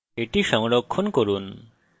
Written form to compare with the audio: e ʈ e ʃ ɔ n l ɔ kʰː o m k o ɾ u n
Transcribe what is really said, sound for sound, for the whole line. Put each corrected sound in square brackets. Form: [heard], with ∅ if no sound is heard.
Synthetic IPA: e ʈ [i] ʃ ɔ [ŋ] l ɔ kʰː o [n] k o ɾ u n